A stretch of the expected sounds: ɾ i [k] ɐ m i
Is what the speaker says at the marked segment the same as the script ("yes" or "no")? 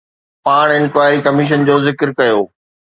yes